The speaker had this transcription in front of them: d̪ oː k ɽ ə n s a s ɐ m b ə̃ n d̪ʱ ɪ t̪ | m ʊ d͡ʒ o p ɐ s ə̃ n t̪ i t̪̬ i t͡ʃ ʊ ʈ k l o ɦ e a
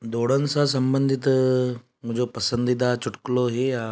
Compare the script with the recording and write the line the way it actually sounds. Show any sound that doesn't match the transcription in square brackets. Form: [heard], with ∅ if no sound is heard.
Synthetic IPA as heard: d̪ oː [∅] ɽ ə n s a s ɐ m b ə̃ n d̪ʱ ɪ t̪ | m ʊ d͡ʒ o p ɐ s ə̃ n [d̪] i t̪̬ [a] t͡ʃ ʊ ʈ k l o ɦ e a